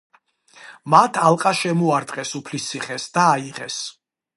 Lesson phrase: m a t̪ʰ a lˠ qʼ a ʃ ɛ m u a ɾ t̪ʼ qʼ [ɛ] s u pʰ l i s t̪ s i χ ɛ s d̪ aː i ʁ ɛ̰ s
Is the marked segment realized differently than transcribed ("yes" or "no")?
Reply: no